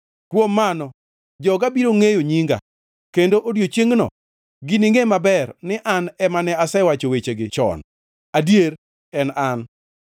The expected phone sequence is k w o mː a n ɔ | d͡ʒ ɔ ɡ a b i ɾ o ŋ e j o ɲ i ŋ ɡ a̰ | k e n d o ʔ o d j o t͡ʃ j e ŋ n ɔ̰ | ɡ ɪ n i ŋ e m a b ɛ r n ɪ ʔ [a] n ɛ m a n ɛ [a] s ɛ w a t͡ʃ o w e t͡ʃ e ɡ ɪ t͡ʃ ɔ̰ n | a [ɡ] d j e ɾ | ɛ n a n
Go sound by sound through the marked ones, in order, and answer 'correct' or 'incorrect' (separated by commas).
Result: correct, correct, incorrect